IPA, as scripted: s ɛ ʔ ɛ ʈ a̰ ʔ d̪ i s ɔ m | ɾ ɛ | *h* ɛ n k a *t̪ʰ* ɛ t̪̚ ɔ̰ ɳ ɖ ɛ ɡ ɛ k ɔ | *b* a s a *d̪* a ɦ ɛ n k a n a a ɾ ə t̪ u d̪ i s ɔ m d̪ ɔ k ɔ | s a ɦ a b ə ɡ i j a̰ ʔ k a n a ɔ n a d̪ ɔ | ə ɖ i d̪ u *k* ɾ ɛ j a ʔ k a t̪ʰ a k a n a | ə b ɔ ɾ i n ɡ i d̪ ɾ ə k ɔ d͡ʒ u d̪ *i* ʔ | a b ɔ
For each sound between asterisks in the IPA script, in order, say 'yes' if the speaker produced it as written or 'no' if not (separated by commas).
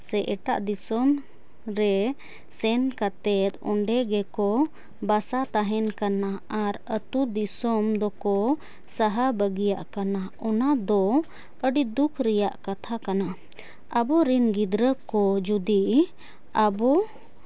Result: no, no, yes, no, no, yes